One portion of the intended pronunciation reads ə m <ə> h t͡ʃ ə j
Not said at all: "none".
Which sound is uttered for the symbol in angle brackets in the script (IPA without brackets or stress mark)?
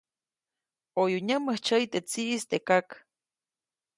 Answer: ə